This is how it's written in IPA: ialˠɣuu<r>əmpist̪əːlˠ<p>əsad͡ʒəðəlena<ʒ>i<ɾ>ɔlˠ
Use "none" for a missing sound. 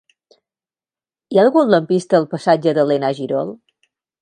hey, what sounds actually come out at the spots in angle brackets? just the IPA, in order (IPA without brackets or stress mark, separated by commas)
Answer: l, p, ʒ, ɾ